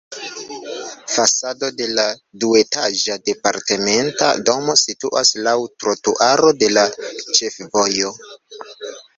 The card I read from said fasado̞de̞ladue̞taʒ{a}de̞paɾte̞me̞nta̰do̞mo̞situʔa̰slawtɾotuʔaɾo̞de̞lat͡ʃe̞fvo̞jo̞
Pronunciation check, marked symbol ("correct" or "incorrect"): correct